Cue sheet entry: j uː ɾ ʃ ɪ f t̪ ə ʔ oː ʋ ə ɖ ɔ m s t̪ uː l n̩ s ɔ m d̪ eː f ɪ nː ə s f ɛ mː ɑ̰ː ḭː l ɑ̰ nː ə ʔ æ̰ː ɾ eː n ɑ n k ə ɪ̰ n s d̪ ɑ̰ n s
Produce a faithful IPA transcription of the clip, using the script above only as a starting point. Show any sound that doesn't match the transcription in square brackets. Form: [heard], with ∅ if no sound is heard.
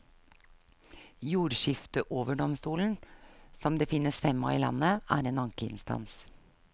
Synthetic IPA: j uː ɾ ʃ ɪ f t̪ ə ʔ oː ʋ ə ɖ ɔ m s t̪ uː l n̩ s ɔ m d̪ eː f ɪ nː ə s f ɛ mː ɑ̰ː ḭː l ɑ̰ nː ə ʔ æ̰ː ɾ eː n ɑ [ŋ] k ə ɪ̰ n s [t̪] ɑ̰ n s